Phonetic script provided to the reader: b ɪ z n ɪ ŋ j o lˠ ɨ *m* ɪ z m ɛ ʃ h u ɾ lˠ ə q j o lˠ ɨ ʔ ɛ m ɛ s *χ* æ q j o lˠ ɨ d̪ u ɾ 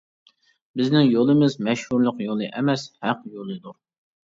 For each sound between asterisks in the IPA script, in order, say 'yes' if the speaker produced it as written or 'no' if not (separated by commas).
yes, no